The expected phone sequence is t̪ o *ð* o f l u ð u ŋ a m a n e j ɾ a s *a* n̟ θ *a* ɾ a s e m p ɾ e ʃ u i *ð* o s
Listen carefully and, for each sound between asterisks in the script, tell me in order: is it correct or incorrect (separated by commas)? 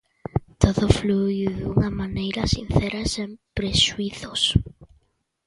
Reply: correct, incorrect, incorrect, incorrect